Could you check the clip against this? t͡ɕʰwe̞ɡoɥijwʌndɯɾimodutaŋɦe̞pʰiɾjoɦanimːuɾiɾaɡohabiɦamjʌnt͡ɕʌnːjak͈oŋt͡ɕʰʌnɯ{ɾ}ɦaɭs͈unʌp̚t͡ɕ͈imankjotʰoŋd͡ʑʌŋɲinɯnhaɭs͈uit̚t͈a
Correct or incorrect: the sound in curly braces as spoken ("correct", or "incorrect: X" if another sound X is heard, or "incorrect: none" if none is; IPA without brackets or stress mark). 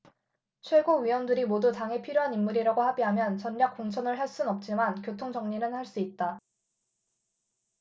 incorrect: ɭ